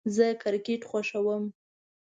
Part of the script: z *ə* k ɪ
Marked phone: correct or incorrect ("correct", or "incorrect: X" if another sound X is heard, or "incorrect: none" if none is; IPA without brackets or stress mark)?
correct